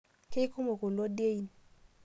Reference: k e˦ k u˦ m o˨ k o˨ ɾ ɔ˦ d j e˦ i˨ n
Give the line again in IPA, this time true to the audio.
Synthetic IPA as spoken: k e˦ k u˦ m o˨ k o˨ l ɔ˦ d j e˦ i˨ n